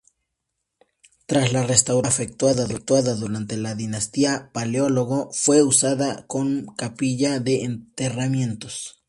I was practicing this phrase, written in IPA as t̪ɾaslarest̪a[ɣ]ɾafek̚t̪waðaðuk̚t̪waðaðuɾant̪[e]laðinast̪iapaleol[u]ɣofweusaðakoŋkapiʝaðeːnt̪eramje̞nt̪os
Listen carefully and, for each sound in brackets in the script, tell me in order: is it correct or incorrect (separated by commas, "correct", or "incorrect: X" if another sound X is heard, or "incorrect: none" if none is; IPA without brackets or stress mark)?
incorrect: w, correct, incorrect: o